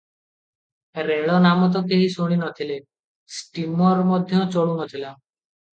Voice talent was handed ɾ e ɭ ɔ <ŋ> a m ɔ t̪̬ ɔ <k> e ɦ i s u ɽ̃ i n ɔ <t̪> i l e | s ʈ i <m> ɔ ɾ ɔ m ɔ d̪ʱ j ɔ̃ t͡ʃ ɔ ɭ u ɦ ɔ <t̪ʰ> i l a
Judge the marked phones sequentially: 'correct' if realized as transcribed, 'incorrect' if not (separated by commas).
incorrect, correct, incorrect, correct, correct